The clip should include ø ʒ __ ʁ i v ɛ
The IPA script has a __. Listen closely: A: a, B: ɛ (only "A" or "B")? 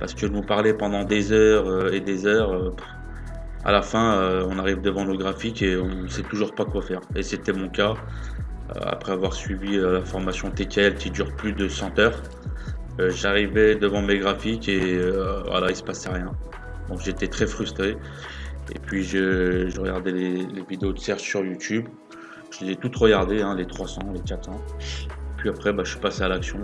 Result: A